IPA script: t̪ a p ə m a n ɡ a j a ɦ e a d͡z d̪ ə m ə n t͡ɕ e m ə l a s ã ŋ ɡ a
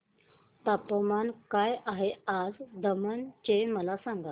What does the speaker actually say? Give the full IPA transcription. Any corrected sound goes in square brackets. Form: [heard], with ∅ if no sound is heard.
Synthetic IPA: t̪ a p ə m a n [k] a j a ɦ e a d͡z d̪ ə m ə n t͡ɕ e m ə l a s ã ŋ ɡ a